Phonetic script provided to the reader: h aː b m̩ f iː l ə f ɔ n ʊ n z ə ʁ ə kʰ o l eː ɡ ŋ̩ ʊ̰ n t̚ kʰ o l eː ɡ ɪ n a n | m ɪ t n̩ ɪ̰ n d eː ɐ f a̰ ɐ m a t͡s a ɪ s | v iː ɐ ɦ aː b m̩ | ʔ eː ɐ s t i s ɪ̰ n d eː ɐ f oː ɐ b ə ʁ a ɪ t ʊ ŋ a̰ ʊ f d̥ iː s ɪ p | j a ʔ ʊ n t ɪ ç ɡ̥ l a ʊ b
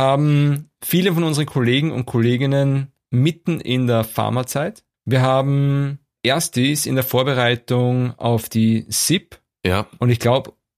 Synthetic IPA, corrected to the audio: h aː b m̩ f iː l ə f ɔ n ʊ n z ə ʁ ə kʰ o l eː ɡ ŋ̩ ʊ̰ n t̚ kʰ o l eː ɡ ɪ n ə n | m ɪ t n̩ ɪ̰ n d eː ɐ f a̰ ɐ m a t͡s a ɪ t | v iː ɐ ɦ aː b m̩ | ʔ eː ɐ s t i s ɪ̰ n d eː ɐ f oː ɐ b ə ʁ a ɪ t ʊ ŋ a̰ ʊ f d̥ iː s ɪ p | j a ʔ ʊ n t ɪ ç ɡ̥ l a ʊ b